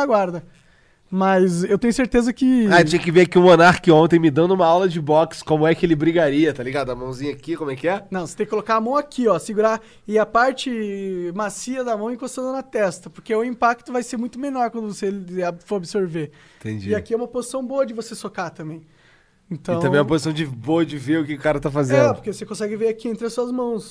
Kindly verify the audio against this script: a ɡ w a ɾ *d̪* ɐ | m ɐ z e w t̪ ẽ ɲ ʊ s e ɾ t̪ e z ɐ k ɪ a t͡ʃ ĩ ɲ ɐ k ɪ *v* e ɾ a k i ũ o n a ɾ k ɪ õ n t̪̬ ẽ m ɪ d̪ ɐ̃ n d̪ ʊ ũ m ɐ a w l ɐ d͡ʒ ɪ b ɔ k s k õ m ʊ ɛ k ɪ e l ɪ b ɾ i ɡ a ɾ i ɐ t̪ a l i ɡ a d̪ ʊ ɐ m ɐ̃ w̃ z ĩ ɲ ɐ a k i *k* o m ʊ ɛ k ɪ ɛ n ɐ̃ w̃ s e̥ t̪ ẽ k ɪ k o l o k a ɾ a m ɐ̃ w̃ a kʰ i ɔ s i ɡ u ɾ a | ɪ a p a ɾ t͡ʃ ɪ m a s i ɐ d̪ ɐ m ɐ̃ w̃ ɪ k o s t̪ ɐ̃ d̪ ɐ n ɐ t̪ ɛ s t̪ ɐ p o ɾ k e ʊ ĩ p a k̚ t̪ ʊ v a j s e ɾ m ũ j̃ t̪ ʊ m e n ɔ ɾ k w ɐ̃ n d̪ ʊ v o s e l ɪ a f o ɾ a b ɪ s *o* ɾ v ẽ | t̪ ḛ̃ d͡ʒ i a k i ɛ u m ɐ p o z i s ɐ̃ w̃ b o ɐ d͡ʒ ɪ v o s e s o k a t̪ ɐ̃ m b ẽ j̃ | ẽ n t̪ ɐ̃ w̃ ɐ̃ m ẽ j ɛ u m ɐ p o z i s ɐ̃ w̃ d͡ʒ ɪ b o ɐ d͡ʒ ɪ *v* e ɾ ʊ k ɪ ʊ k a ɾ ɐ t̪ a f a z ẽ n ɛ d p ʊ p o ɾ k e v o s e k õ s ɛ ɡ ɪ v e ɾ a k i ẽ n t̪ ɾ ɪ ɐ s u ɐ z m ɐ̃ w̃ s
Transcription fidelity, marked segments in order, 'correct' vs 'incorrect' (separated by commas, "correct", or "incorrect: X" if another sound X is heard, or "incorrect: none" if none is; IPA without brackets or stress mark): correct, correct, correct, correct, correct